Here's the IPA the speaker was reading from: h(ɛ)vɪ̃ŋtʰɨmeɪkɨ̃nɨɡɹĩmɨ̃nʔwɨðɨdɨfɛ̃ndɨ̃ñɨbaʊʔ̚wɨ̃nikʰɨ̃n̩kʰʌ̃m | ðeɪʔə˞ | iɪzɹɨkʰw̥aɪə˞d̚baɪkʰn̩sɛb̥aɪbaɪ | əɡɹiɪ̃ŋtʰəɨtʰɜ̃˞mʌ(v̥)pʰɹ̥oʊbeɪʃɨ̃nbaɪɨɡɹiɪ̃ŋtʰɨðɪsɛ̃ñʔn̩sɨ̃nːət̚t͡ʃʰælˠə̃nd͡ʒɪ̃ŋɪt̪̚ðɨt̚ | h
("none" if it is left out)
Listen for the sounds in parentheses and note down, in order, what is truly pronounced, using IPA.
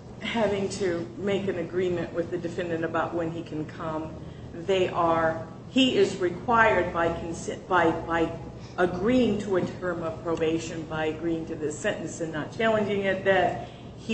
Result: æ, v̥

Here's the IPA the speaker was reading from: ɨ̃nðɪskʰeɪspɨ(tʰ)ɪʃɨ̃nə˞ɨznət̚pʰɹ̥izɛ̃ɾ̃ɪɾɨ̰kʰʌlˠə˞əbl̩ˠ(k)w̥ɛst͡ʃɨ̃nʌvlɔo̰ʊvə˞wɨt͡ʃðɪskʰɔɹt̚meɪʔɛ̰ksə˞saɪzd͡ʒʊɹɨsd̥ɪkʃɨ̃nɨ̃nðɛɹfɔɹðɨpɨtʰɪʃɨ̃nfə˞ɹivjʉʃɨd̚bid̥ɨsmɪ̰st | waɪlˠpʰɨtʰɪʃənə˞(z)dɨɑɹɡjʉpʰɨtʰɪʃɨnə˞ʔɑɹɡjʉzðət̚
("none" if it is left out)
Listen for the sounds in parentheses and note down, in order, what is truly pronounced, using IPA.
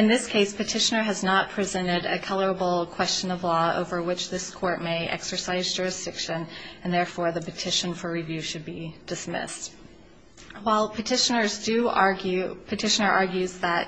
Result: tʰ, kʰ, z

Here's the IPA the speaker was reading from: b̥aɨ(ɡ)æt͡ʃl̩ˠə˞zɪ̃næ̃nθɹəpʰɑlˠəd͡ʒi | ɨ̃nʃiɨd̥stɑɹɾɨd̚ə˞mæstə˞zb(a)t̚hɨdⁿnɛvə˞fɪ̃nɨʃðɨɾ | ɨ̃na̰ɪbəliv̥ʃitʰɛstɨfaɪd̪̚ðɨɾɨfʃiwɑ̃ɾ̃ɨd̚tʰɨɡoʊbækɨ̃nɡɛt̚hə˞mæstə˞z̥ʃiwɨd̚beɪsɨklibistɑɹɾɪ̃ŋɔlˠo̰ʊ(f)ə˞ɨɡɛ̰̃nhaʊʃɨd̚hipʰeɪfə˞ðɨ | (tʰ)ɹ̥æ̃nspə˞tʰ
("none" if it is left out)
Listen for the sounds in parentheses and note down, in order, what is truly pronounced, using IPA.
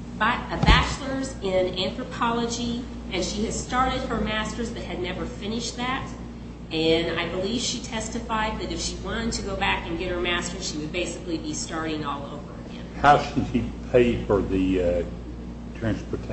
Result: b, ʌ, v, tʰ

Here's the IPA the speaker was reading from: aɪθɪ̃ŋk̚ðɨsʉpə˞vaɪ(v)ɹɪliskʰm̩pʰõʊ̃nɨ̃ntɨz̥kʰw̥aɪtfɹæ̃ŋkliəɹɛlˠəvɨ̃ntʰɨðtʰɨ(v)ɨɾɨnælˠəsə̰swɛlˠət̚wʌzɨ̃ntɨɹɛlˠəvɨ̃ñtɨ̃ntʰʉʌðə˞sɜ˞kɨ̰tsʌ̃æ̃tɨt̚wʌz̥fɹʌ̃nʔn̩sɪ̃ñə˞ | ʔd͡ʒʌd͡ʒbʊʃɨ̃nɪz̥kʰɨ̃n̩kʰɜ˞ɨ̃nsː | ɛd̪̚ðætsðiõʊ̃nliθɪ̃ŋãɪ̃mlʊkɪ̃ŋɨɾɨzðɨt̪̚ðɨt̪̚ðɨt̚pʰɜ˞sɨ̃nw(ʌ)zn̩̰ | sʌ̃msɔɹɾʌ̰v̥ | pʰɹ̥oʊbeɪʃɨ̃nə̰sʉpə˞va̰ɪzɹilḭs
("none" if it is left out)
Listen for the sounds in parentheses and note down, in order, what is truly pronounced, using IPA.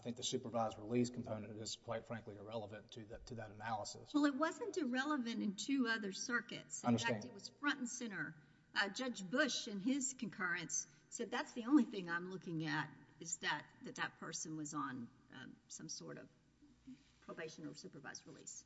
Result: z, ð, ʌ

